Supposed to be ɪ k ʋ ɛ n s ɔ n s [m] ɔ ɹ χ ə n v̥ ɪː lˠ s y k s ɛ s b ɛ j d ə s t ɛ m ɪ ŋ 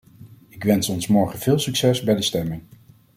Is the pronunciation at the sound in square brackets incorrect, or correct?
correct